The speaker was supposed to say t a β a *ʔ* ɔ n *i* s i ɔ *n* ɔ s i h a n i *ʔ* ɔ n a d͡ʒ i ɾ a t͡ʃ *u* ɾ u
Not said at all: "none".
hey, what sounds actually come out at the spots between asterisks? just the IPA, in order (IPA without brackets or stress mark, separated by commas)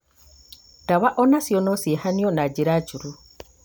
ʔ, a, n, none, u